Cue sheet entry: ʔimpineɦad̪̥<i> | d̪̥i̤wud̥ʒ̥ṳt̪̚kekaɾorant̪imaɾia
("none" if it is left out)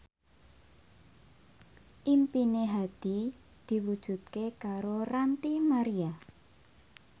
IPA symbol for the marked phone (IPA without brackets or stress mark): i